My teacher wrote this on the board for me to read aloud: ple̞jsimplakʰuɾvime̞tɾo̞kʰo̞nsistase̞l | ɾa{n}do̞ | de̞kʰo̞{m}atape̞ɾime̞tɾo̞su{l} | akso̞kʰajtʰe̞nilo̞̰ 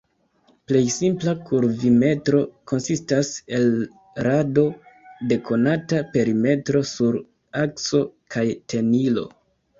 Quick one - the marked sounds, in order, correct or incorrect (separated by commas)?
incorrect, incorrect, incorrect